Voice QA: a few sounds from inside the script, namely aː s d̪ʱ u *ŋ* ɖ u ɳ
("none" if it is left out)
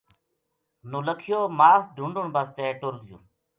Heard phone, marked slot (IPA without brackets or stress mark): ɳ